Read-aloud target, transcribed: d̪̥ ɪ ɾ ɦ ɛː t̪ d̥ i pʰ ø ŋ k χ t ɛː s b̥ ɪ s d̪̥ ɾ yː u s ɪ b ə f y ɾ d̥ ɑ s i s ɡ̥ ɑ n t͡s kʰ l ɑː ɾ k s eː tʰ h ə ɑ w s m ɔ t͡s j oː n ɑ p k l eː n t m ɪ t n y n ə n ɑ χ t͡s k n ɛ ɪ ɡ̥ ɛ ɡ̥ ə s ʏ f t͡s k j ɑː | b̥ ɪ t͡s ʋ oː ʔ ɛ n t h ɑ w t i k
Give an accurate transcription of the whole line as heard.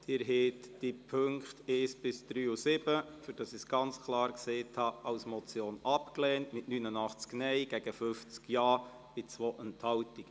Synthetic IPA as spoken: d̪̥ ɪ ɾ ɦ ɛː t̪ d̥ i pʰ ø ŋ k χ t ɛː s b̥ ɪ s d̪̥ ɾ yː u s ɪ b ə f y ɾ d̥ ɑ s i s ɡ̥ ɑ n t͡s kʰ l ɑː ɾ k s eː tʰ h ɑ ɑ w s m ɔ t͡s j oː n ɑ p k l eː n t m ɪ t n y n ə n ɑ χ t͡s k n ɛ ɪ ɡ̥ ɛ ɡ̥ ə f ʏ f t͡s k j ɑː | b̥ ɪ t͡s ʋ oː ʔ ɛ n t h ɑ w t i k